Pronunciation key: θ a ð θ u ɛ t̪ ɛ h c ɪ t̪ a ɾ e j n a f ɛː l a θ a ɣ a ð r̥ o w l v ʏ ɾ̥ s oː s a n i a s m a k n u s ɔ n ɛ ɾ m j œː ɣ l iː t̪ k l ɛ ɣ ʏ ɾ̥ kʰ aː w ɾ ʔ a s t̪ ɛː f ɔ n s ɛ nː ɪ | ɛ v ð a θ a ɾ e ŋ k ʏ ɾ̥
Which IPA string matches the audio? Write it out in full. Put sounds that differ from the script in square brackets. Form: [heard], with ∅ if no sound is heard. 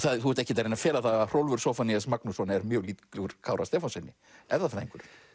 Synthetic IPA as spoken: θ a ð θ u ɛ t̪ ɛ h c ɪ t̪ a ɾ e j n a f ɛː l a θ a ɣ a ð r̥ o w l v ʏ ɾ̥ s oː [f] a n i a s m a k n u s ɔ n ɛ ɾ m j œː ɣ l iː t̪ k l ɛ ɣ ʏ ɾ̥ kʰ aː w ɾ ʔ a s t̪ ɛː f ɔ n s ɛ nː ɪ | ɛ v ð a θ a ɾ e ŋ k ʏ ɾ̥